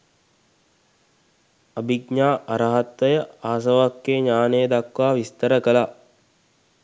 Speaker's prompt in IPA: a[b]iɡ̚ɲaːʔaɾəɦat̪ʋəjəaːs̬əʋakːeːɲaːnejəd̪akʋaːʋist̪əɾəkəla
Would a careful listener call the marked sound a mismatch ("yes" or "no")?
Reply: no